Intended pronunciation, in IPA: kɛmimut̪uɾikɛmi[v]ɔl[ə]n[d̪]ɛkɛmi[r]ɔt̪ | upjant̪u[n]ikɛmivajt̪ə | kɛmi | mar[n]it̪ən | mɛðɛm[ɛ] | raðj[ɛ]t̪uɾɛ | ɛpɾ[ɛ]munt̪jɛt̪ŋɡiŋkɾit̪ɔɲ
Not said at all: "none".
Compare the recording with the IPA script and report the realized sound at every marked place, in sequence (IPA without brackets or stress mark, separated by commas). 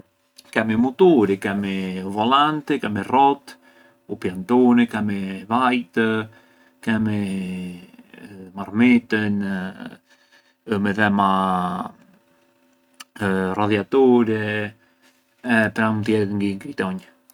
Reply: v, a, t̪, r, n, m, a, a, a